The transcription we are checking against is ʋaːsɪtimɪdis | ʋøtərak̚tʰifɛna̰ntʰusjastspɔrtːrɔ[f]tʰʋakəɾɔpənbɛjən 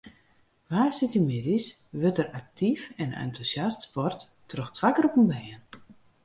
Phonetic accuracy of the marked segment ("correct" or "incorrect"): incorrect